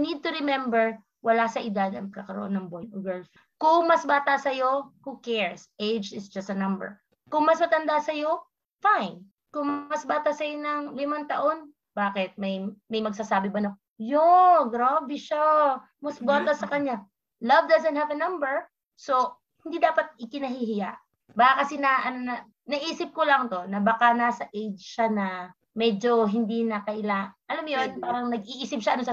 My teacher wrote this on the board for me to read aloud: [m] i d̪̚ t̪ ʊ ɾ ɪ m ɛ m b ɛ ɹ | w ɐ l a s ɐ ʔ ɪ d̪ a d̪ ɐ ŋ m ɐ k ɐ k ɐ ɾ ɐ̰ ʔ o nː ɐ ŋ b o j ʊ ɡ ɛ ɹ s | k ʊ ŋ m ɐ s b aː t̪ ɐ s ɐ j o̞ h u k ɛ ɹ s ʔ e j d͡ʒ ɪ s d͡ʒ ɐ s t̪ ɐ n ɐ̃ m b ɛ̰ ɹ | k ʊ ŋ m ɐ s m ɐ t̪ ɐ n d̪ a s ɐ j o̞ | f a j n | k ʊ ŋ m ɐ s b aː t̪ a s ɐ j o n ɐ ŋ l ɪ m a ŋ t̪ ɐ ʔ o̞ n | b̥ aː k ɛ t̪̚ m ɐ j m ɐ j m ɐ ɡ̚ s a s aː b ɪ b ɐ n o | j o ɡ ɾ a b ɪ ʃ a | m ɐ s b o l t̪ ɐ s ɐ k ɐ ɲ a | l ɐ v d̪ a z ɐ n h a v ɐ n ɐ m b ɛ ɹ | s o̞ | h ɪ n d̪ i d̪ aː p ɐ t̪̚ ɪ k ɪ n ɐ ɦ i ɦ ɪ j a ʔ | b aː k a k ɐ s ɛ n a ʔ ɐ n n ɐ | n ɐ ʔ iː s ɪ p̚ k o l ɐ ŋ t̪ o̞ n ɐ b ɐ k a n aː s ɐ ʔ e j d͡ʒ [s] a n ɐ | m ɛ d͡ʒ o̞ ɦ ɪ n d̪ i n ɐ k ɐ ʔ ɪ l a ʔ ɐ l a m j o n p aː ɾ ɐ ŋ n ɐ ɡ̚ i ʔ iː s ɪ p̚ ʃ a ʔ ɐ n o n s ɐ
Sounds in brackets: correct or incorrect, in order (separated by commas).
incorrect, incorrect